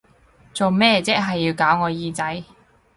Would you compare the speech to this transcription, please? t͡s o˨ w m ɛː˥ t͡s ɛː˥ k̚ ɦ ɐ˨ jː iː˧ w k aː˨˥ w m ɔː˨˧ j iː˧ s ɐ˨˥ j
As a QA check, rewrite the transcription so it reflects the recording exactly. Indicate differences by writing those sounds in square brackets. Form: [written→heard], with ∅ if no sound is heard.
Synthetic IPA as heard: t͡s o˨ w m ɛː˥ t͡s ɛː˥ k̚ ɦ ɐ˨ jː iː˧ w k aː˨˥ w [m→ŋ] ɔː˨˧ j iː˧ [s→t͡s] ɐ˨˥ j